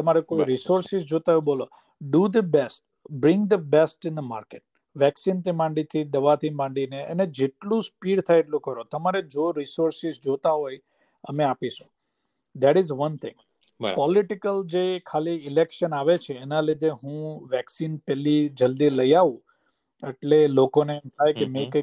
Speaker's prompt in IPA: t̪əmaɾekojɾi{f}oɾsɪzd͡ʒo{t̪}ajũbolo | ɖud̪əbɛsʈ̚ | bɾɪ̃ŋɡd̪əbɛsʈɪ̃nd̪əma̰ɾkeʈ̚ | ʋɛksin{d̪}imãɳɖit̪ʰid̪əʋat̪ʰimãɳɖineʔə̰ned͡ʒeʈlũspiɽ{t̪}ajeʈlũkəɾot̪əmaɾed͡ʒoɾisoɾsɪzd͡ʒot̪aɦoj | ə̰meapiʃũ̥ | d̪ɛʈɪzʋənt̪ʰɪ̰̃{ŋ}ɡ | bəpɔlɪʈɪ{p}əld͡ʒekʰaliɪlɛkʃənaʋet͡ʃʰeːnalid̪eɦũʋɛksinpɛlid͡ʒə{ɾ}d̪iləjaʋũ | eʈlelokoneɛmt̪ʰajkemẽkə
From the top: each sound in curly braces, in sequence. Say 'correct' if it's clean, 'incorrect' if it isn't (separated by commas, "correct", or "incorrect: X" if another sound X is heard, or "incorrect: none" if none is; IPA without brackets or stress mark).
incorrect: s, correct, incorrect: t̪, incorrect: t̪ʰ, correct, incorrect: k, incorrect: l